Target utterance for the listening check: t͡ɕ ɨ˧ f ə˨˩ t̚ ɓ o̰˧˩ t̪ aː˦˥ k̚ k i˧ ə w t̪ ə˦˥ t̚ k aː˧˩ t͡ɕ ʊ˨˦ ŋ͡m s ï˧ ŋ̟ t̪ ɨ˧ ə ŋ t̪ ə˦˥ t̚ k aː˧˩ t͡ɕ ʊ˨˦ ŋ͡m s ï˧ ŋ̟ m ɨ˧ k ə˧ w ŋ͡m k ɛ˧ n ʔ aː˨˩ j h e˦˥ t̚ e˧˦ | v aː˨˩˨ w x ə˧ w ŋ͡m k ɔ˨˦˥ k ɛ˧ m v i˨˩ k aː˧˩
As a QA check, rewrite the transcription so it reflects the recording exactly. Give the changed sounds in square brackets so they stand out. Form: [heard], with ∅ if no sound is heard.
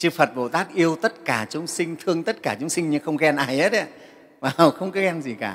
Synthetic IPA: t͡ɕ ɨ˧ f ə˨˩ t̚ ɓ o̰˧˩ t̪ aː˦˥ k̚ [ʔ] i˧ ə w t̪ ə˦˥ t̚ k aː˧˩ t͡ɕ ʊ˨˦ ŋ͡m s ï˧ ŋ̟ [t̪ʰ] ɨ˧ ə ŋ t̪ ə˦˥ t̚ k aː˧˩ t͡ɕ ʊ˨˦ ŋ͡m s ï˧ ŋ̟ [ɲ] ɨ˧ [x] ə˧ w ŋ͡m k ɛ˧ n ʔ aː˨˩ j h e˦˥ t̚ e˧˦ | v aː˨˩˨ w x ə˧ w ŋ͡m k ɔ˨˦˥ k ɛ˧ m [z] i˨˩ k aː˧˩